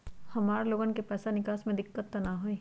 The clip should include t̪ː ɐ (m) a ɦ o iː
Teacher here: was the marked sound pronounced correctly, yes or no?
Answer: no